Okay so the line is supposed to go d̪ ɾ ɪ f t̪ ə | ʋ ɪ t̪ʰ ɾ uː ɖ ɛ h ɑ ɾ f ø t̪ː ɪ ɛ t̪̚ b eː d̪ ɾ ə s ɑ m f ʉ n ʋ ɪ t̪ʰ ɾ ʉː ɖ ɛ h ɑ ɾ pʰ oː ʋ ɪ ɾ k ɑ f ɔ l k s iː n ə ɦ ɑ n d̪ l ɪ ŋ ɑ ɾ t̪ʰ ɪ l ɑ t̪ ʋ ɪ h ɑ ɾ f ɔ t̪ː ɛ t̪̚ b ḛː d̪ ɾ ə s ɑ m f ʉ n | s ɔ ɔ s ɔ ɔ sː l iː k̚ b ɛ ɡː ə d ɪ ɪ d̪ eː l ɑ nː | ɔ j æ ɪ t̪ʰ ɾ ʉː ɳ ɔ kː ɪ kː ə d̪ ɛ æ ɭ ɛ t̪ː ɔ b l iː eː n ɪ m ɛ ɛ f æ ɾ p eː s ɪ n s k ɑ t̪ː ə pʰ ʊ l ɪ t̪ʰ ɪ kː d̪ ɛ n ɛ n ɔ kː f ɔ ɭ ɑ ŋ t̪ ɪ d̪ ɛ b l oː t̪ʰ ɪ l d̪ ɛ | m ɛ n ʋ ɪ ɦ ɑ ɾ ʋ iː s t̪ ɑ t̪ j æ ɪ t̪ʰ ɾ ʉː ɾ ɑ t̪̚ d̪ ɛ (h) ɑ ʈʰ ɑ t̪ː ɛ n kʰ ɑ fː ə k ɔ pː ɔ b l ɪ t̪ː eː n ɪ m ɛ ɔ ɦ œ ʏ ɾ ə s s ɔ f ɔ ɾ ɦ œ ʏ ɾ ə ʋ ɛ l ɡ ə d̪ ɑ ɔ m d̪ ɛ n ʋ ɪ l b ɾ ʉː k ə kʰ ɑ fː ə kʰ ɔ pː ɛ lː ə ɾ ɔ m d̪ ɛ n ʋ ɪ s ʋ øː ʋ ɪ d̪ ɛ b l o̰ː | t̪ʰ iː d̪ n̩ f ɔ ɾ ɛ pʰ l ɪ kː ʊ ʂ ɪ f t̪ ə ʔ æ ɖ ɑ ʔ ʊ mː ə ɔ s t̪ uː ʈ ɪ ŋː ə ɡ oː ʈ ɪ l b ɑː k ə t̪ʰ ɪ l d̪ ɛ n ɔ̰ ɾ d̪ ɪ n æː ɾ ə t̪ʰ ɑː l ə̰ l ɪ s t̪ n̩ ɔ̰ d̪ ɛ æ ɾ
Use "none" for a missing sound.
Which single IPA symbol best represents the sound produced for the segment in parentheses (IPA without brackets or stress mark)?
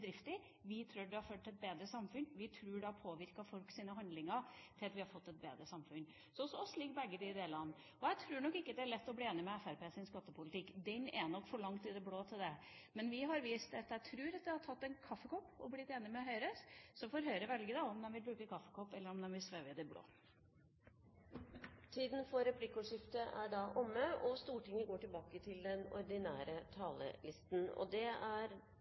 h